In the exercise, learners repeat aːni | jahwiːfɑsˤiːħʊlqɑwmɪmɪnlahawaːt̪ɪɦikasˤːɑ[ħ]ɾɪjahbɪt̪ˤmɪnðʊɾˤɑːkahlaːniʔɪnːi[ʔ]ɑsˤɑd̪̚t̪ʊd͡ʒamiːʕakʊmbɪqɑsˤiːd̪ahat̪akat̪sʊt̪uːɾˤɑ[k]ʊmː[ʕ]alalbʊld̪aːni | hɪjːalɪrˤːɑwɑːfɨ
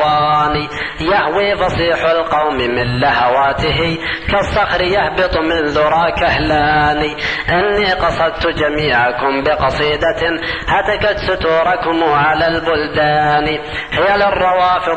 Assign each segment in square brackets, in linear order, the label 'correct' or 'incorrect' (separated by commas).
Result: incorrect, incorrect, correct, correct